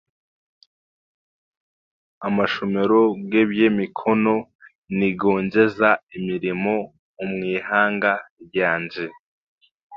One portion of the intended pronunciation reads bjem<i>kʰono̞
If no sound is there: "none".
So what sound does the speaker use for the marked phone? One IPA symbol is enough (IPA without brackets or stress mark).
i